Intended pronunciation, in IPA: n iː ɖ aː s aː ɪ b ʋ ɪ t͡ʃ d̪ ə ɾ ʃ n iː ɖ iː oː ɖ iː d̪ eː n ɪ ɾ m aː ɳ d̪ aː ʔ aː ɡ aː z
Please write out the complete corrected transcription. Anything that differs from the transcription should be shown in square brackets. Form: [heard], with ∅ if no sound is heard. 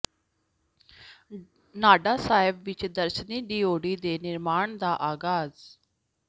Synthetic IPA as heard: n [aː] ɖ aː s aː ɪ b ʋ ɪ t͡ʃ d̪ ə ɾ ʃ n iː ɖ iː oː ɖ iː d̪ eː n ɪ ɾ m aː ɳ d̪ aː ʔ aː ɡ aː z